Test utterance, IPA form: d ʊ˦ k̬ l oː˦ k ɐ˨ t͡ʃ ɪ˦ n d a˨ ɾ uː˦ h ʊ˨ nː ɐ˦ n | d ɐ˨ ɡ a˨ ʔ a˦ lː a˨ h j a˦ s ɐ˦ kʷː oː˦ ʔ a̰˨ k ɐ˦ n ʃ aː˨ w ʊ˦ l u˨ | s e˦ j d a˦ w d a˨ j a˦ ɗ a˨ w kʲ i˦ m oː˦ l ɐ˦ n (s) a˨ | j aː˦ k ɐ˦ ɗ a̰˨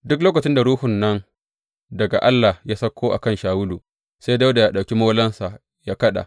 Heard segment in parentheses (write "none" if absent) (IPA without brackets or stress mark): s